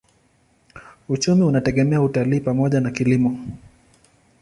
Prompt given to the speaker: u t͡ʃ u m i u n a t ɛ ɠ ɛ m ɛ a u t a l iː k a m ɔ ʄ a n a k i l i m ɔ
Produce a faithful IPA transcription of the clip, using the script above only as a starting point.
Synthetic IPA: u t͡ʃ u m i u n a t ɛ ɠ ɛ m ɛ a u t a l iː p a m ɔ ʄ a n a k i l i m ɔ